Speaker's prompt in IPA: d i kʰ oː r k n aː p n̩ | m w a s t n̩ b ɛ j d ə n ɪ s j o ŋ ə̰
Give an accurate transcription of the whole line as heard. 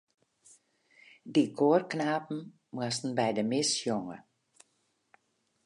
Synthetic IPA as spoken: d i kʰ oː r k n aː p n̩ | m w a s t n̩ b ɛ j d ə m ɪ s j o ŋ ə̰